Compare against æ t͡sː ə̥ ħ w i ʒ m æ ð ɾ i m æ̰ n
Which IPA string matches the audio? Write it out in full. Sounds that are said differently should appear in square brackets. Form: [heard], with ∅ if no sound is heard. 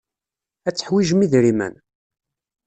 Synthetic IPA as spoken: æ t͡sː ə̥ ħ w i ʒ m [i] ð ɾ i m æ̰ n